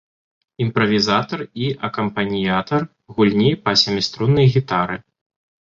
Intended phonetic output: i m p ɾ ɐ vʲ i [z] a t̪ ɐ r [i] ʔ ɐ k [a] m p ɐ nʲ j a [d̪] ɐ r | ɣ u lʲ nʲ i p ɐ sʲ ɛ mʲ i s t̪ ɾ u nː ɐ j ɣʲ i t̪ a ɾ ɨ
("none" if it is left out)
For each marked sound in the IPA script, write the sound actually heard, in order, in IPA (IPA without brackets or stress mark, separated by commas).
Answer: z, i, ɐ, t̪